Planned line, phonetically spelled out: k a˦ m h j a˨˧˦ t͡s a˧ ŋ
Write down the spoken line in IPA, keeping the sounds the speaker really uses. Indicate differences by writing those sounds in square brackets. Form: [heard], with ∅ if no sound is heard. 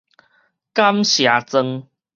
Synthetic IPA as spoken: k a˦ m [ɕ] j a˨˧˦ t͡s [ə˧] ŋ